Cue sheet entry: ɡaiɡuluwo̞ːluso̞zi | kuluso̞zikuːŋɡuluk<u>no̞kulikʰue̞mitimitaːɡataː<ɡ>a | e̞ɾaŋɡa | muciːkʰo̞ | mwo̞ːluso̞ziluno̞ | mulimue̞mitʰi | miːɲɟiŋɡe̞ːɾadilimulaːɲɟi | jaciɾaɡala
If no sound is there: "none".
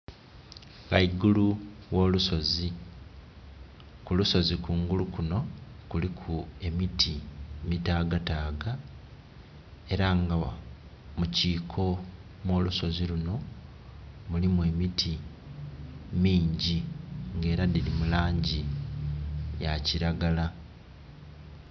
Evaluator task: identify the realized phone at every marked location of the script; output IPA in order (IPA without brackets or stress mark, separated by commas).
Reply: u, ɡ